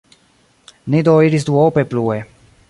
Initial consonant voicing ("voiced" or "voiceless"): voiced